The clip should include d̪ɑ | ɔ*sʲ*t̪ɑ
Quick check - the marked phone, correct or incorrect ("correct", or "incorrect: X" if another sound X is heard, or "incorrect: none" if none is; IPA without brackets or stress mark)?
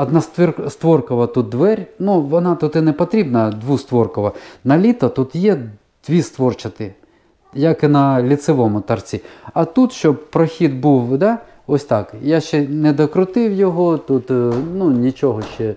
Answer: correct